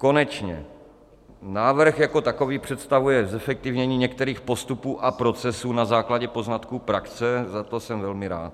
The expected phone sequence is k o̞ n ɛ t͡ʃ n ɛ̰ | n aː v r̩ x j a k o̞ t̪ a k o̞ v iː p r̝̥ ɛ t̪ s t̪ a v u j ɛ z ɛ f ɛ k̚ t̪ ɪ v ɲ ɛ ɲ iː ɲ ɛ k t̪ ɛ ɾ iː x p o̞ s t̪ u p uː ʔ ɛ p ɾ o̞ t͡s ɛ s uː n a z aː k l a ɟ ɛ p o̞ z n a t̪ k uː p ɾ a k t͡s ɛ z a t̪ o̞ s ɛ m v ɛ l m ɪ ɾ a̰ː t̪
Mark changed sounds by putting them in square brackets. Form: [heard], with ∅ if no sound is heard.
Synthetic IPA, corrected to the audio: k o̞ n ɛ t͡ʃ [ɲ] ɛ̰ | n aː v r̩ x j a k o̞ t̪ a k o̞ v iː p r̝̥ ɛ t̪ s t̪ a v u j ɛ z ɛ f ɛ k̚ t̪ ɪ v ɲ ɛ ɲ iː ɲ ɛ k t̪ ɛ ɾ iː x p o̞ s t̪ u p uː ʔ [a] p ɾ o̞ t͡s ɛ s uː n a z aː k l a ɟ ɛ p o̞ z n a t̪ k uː p ɾ a k t͡s ɛ z a t̪ o̞ s ɛ m v ɛ l m ɪ ɾ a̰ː t̪